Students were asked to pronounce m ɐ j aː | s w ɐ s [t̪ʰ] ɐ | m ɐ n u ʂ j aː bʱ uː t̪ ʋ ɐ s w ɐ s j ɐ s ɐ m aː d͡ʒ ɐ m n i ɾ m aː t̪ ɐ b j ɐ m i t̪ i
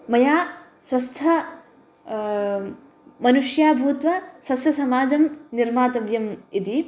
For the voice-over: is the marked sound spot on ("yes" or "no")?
yes